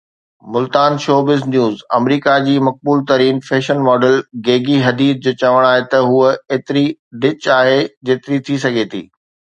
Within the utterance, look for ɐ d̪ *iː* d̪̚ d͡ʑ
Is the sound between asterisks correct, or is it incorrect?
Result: correct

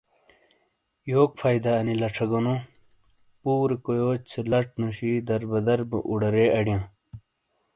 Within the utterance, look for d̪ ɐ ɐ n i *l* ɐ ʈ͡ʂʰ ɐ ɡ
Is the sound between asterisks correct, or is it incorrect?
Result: correct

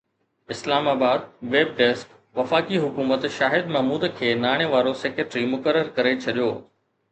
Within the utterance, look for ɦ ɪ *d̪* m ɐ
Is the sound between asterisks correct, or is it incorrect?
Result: correct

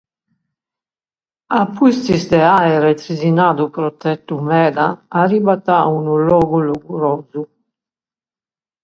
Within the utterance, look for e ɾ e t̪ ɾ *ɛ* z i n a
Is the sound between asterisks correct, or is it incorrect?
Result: incorrect: i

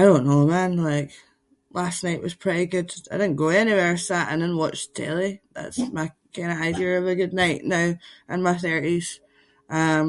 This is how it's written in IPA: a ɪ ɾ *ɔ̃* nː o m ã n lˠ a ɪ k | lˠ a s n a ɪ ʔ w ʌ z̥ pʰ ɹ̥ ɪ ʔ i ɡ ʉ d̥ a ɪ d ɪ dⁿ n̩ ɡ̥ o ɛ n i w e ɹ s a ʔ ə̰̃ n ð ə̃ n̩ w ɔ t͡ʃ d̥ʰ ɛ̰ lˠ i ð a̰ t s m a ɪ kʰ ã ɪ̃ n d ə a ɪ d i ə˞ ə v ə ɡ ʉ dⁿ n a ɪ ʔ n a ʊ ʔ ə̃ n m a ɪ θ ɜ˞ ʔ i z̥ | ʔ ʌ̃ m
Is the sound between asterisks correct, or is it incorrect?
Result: incorrect: õ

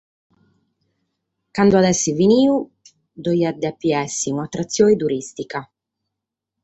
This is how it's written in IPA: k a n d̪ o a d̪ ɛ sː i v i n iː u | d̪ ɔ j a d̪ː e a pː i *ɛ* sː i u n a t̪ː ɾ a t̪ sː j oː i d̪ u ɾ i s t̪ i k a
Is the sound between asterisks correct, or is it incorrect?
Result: correct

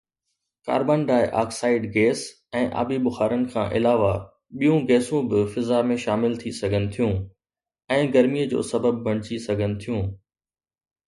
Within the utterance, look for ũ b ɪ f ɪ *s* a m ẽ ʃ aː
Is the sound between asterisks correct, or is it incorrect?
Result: incorrect: z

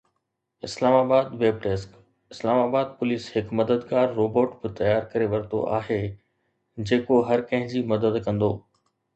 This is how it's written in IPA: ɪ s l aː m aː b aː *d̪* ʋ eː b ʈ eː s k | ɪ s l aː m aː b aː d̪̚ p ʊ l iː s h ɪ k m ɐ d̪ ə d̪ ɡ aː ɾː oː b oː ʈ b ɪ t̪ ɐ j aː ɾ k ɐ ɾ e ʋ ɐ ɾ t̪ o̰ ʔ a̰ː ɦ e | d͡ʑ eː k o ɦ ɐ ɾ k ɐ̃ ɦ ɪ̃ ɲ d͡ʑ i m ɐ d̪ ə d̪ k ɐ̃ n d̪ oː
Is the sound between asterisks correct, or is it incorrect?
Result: correct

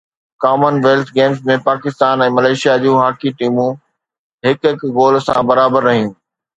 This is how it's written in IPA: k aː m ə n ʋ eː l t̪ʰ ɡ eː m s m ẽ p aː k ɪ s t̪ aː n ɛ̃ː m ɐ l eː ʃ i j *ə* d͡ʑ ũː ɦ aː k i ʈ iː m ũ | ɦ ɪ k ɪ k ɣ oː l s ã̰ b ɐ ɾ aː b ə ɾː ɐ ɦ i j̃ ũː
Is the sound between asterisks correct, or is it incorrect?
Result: incorrect: a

